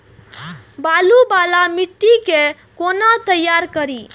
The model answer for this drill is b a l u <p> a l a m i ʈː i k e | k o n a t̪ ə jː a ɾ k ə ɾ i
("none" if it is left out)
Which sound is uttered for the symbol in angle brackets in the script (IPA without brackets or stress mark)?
b